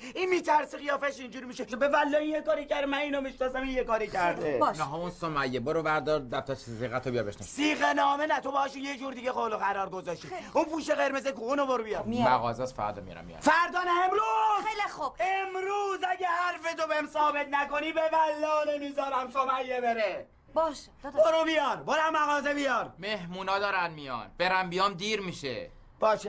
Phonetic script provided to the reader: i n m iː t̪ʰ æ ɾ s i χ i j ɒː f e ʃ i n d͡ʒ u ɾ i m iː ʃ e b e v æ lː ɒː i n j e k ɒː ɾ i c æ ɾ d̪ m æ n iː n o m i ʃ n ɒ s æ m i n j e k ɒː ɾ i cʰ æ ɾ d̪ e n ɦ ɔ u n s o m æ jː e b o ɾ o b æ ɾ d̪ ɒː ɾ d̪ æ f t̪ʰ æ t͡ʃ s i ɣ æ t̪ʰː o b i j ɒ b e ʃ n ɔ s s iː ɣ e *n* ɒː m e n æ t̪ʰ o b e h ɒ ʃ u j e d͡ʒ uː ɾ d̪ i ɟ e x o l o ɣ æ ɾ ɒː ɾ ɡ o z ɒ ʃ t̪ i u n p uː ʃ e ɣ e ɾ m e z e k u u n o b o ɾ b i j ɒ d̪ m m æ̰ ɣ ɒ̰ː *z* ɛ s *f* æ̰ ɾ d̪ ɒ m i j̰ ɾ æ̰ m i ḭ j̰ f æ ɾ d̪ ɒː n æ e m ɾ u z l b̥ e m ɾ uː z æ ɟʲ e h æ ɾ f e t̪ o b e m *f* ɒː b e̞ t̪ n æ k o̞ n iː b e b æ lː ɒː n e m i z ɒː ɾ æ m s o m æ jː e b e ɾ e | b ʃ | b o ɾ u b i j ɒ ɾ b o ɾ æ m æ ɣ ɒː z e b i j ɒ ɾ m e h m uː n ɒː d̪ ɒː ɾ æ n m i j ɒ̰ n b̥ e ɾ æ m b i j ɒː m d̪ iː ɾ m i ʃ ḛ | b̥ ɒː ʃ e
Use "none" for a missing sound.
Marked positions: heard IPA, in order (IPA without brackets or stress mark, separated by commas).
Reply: n, z, f, s